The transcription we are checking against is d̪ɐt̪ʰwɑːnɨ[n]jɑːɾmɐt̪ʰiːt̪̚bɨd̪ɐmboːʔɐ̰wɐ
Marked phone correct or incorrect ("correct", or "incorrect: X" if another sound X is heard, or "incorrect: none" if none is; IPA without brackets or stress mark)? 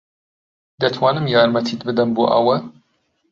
incorrect: m